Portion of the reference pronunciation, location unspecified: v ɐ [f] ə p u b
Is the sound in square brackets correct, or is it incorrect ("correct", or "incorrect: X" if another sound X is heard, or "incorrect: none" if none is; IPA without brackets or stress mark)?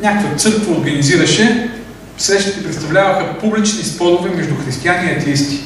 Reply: incorrect: x